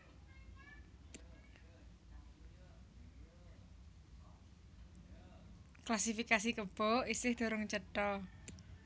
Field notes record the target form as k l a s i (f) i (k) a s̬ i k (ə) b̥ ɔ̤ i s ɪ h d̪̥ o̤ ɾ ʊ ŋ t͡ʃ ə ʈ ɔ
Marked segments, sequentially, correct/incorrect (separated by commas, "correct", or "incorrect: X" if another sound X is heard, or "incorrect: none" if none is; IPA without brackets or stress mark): correct, correct, correct